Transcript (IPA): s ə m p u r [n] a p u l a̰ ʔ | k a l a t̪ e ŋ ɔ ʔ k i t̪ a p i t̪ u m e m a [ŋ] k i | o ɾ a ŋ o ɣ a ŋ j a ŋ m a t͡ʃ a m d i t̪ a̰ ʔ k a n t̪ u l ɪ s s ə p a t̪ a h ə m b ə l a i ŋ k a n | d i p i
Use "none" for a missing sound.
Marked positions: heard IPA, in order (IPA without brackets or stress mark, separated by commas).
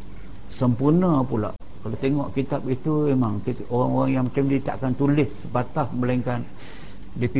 n, ŋ